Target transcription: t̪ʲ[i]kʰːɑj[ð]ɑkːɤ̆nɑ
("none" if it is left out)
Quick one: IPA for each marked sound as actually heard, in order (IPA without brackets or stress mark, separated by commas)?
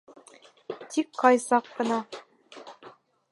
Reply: i, z